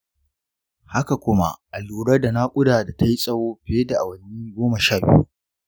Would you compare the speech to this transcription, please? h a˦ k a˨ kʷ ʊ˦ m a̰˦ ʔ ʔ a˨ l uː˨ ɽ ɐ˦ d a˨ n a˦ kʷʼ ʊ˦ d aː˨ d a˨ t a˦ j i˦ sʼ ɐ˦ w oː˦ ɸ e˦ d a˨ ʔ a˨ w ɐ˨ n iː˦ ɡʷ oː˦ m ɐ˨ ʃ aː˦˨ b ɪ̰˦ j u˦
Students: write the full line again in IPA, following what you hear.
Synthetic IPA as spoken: h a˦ k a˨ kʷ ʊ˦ m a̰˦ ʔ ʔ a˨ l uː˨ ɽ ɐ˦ d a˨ n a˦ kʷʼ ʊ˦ d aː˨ d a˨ t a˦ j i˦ sʼ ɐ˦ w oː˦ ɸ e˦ d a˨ ʔ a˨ w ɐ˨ n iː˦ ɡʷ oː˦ m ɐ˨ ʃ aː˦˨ b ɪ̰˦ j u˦